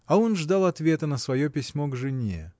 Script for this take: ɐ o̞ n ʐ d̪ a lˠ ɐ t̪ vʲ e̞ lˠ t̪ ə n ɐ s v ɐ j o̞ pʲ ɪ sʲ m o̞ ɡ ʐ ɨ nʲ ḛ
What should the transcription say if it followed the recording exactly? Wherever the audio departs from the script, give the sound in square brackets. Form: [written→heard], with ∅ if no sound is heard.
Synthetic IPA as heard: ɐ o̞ n ʐ d̪ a lˠ ɐ t̪ vʲ e̞ [lˠ→∅] t̪ ə n [ɐ→ə] s v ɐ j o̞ pʲ ɪ sʲ m o̞ ɡ ʐ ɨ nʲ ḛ